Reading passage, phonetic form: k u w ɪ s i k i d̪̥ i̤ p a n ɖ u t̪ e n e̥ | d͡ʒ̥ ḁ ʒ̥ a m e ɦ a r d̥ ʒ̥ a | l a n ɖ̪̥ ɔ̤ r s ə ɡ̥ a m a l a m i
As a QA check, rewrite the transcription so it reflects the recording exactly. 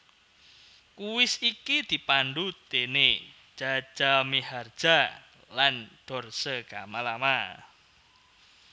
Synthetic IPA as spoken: k u w ɪ s i k i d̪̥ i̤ p a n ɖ u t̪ e n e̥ | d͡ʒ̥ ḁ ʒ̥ a m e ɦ a r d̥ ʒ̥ a | l a n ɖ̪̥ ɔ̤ r s ə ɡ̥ a m a l a m a